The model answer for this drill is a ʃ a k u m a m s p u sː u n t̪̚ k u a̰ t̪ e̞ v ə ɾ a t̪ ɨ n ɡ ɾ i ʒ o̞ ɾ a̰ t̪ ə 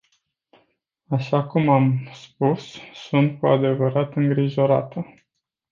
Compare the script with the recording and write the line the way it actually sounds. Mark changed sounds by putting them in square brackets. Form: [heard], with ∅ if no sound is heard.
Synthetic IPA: a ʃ a k u m a m s p u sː u n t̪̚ k u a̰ [d̪] e̞ v ə ɾ a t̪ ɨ [ŋ] ɡ ɾ i ʒ o̞ ɾ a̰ t̪ ə